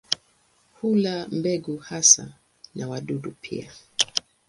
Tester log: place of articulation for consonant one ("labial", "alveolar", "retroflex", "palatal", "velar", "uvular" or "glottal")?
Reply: glottal